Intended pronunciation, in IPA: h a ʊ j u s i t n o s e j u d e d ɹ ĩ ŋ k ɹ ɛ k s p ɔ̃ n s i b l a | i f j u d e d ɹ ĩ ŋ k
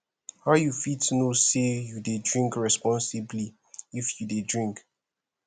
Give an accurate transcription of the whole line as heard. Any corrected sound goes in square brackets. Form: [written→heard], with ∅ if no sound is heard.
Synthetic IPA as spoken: h a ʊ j u [s→f] i t n o s e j u d e d ɹ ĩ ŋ k ɹ ɛ [k→∅] s p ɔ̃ n s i b l [a→i] | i f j u d e d ɹ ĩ ŋ k

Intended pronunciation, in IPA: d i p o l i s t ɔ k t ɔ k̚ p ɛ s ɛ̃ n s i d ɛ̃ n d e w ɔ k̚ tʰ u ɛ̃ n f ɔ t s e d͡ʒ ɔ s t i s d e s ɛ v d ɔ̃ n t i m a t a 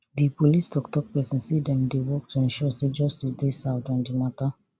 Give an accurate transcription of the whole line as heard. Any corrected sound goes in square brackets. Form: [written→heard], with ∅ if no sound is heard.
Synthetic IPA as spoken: d i p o l i s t ɔ k t ɔ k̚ p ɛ s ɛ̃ n s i d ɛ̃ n d e w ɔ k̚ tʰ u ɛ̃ n [f→ʃ] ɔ [t→∅] s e d͡ʒ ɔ s t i s d e s [ɛ→a] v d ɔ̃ n [t→d] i m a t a

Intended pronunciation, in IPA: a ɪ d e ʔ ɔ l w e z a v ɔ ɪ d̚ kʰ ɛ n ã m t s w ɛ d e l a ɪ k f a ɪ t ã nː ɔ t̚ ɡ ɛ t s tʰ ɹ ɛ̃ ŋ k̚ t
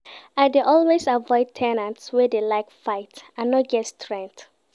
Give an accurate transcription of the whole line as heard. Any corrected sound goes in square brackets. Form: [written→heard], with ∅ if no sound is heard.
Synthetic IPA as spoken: a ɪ d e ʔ ɔ l w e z a v ɔ ɪ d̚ [kʰ→tʰ] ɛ n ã [m→n] t s w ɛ d e l a ɪ k f a ɪ t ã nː ɔ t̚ ɡ ɛ t s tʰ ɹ ɛ̃ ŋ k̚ t

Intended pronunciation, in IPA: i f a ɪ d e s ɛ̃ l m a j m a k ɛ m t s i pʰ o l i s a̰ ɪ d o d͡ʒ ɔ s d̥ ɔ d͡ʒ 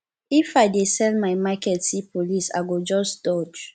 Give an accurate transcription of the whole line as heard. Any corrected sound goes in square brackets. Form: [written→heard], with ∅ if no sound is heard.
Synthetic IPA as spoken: i f a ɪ d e s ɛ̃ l m a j m a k ɛ [m→∅] t s i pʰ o l i s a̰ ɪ [d→ɡ] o d͡ʒ ɔ s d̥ ɔ d͡ʒ

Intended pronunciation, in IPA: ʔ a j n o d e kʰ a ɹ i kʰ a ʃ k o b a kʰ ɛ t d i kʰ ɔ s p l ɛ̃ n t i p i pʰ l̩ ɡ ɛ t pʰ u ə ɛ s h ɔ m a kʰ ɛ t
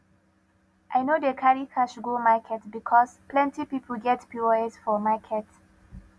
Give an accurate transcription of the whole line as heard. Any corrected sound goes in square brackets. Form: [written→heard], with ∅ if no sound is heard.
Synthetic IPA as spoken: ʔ a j n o d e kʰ a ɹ i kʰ a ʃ [k→ɡ] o [b→m] a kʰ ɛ t [d→b] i kʰ ɔ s p l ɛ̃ n t i p i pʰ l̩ ɡ ɛ t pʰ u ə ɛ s [h→f] ɔ m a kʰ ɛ t

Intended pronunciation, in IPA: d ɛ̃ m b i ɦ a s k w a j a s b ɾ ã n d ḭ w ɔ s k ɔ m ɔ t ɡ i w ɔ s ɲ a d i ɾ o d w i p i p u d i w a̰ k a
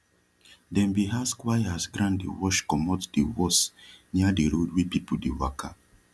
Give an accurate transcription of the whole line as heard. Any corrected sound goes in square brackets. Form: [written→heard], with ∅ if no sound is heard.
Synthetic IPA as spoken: d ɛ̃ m b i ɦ a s k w a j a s [b→ɡ] ɾ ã n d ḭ w ɔ [s→ʃ] k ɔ m ɔ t [ɡ→d] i w ɔ s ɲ a d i ɾ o d w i p i p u d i w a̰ k a

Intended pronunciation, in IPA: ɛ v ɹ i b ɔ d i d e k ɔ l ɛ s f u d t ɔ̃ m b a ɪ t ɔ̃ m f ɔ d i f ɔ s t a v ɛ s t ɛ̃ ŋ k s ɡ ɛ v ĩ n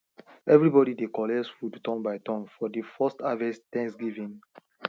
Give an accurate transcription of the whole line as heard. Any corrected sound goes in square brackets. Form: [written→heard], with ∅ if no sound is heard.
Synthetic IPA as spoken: ɛ v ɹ i b ɔ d i d e k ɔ l ɛ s f u d t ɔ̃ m b a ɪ t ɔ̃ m f ɔ d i f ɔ s t a v ɛ s t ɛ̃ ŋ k s ɡ [ɛ→i] v ĩ n

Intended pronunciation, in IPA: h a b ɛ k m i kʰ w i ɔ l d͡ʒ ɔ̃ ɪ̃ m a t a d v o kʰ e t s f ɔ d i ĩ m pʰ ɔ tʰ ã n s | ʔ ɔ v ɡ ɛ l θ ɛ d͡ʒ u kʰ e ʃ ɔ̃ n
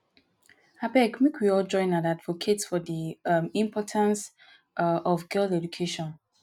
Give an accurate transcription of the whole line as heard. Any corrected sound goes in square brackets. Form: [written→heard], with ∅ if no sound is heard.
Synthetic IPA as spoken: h a b ɛ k m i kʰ w i ɔ l d͡ʒ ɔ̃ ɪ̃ [m→n] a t a d v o kʰ e t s f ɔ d i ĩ m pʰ ɔ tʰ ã n s | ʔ ɔ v ɡ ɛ l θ ɛ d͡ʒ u kʰ e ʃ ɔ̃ n

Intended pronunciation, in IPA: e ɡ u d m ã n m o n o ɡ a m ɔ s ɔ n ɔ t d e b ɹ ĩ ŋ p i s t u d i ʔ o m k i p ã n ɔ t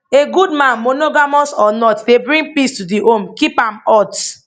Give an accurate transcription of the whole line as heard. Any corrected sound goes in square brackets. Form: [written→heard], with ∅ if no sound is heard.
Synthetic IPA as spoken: e ɡ u d m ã n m o n o ɡ a m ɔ s ɔ n ɔ t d e b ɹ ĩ ŋ p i s t u d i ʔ o m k i p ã [n→m] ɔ t

